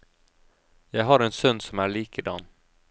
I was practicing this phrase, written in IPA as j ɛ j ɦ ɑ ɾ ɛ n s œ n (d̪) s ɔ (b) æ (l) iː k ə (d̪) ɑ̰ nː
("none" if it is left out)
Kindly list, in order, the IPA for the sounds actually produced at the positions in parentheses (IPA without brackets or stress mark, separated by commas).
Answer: d̪, m, ɭ, d̪